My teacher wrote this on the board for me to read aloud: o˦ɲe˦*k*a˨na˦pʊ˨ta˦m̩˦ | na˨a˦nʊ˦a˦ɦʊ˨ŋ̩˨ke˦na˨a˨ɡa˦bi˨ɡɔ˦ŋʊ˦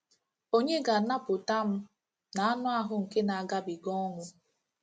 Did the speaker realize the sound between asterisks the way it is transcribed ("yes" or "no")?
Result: no